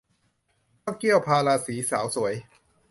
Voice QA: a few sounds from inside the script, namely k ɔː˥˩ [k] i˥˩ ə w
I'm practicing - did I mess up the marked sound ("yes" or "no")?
no